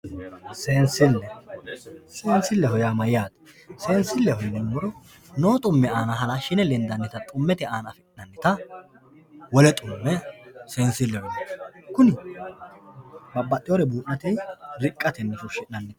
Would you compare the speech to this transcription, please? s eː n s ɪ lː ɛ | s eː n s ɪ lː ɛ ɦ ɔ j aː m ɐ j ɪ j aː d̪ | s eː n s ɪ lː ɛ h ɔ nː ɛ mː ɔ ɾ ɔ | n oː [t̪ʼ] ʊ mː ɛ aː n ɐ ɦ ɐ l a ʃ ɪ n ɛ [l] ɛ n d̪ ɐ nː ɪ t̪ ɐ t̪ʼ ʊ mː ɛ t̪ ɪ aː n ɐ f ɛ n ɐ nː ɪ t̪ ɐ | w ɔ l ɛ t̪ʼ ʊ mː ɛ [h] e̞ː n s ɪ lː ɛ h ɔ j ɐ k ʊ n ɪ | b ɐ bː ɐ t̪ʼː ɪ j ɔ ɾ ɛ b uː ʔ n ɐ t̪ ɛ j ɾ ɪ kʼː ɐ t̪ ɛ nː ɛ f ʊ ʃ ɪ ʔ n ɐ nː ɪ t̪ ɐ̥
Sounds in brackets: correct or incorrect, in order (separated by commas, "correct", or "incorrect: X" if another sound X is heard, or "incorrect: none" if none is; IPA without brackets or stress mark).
correct, correct, incorrect: s